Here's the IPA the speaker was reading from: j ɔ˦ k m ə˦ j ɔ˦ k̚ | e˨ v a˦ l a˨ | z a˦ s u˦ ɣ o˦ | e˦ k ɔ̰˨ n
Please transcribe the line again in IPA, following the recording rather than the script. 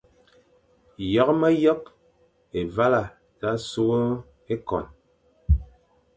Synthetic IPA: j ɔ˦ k m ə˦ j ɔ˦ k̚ | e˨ v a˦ l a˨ | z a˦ s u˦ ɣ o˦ | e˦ k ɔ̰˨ n